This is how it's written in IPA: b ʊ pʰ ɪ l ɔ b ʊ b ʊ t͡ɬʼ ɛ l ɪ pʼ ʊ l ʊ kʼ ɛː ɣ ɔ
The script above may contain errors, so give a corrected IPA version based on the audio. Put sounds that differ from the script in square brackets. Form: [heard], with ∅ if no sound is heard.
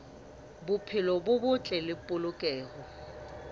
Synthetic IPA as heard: b ʊ pʰ ɪ l ɔ b ʊ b ʊ t͡ɬʼ ɛ l ɪ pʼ ʊ l ʊ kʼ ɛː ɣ ɔ